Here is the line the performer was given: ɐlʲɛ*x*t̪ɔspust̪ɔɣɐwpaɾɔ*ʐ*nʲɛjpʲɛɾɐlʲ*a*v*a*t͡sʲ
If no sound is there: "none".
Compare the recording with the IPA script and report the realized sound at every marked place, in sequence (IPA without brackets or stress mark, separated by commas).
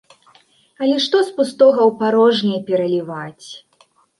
ʂ, ʐ, i, a